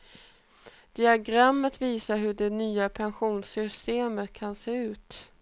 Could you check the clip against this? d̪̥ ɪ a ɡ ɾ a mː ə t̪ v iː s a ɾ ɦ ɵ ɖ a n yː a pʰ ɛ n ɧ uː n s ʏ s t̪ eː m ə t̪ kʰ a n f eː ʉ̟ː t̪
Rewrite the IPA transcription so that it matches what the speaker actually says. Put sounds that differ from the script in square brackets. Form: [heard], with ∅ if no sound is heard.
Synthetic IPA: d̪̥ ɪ a ɡ ɾ a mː ə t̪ v iː s a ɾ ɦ ɵ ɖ [ɛ] n yː a pʰ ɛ n ɧ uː n s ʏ s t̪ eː m ə t̪ kʰ a n [s] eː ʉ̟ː t̪